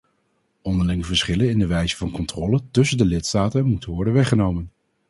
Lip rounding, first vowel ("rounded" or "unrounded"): rounded